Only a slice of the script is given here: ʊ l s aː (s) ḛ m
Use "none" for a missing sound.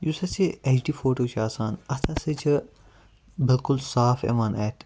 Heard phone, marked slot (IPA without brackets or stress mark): f